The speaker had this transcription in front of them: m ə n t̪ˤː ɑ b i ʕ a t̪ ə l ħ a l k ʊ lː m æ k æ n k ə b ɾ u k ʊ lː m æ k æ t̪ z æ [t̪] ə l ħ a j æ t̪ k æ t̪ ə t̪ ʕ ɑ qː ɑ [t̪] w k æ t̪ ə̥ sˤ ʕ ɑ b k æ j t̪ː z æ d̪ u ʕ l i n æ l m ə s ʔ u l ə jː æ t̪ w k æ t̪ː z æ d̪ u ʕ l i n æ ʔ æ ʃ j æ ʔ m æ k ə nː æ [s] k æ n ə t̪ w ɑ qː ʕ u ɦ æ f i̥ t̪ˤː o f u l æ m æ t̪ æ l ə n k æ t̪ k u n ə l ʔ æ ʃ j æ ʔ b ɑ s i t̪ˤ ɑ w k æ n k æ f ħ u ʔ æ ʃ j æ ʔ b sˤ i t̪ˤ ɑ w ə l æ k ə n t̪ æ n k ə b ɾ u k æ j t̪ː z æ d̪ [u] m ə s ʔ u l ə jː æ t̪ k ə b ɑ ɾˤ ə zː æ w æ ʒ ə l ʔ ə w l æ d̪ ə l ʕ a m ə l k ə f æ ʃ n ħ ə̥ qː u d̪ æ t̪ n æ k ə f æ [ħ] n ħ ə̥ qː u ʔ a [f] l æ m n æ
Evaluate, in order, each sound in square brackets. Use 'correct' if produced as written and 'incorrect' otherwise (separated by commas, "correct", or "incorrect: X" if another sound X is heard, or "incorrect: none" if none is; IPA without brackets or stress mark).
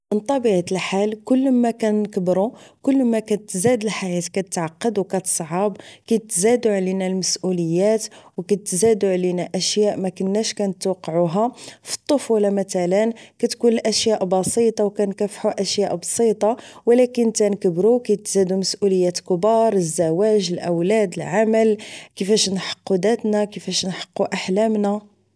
incorrect: d̪, incorrect: d̪, incorrect: ʃ, correct, incorrect: ʃ, incorrect: ħ